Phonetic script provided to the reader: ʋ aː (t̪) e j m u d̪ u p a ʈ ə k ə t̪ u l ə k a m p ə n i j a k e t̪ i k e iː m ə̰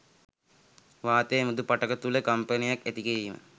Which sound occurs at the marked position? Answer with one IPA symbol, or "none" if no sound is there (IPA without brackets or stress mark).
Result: t̪